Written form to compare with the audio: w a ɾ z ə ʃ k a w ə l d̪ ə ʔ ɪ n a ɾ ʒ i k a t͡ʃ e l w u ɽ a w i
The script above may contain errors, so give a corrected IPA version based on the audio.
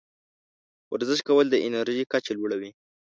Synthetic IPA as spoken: w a ɾ z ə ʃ k a w ə l d̪ ə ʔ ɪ n a ɾ ʒ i k a t͡ʃ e l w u ɽ a w i